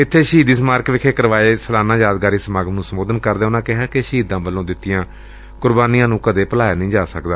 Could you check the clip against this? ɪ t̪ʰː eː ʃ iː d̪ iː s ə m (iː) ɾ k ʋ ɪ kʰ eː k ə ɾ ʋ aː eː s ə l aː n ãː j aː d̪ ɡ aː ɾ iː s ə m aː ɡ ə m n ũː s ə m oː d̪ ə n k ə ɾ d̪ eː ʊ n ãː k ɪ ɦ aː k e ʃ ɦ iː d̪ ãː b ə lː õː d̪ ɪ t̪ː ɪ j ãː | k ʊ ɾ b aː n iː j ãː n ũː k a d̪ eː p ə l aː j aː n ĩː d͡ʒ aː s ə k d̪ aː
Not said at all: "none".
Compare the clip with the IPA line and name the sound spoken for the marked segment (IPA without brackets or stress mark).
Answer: aː